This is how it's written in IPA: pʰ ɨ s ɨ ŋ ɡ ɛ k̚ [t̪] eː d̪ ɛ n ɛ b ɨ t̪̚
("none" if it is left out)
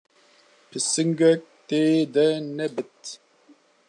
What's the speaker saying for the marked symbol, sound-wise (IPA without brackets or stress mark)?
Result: t̪